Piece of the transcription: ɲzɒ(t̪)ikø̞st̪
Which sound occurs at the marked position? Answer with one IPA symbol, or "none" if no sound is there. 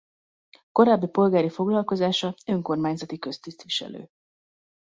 t̪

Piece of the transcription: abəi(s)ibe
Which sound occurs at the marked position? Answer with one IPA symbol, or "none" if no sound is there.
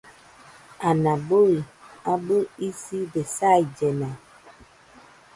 s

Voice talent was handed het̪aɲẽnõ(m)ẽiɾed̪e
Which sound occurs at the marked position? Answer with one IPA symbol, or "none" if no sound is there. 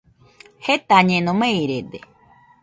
m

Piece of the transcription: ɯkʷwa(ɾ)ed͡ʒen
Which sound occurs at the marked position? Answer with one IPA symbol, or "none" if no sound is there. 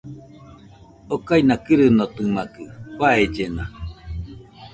none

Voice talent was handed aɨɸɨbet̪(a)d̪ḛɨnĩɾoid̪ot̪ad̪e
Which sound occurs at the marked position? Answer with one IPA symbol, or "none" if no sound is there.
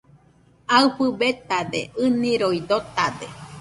a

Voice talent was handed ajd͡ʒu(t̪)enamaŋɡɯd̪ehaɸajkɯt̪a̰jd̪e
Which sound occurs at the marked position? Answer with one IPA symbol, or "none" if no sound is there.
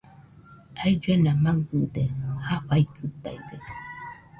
none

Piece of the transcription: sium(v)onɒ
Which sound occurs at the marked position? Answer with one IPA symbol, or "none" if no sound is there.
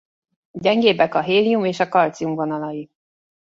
v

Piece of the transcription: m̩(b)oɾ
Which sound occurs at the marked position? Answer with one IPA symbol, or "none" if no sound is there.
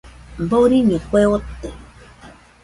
b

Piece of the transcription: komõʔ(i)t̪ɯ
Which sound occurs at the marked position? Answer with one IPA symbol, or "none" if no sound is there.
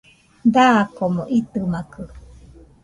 i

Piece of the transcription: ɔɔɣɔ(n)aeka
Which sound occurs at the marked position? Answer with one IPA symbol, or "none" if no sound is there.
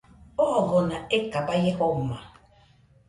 n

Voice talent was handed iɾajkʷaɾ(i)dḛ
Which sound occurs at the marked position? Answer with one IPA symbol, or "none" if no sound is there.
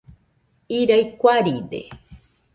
i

